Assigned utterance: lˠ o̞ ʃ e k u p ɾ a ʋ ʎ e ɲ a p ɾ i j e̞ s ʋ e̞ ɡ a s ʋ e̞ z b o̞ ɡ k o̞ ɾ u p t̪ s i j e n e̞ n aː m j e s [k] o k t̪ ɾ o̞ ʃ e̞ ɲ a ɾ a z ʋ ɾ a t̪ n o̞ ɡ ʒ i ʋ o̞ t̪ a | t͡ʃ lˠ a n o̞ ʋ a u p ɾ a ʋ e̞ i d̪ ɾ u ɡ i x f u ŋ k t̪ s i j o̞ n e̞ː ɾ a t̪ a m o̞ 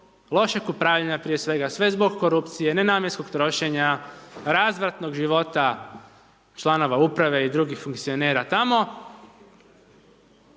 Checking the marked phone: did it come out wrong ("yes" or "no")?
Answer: no